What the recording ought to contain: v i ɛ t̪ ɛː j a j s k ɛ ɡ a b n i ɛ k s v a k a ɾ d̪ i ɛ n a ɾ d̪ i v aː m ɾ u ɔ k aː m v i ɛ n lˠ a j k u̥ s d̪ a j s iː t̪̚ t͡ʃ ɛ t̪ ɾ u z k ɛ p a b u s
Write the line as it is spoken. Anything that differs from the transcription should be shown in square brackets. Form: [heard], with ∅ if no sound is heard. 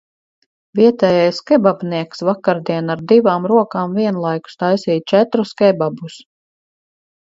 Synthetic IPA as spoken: v i ɛ t̪ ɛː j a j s k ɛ [b] a b n i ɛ k s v a k a ɾ d̪ i ɛ n a ɾ d̪ i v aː m ɾ u ɔ k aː m v i ɛ n lˠ a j k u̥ s [t̪] a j s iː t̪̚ t͡ʃ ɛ t̪ ɾ u [s] k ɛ [b] a b u s